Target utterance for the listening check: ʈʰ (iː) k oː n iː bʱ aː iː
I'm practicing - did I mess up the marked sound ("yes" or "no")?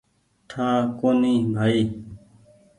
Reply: yes